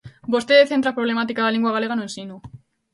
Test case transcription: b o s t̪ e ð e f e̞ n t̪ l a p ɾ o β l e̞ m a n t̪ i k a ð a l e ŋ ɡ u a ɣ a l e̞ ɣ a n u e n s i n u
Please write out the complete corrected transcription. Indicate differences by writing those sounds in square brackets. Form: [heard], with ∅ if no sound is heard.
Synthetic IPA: b o s t̪ e ð e [θ] e̞ n t̪ [ɾ] a p ɾ o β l e̞ m a [∅] t̪ i k a ð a l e ŋ ɡ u a ɣ a l e̞ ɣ a n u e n s i n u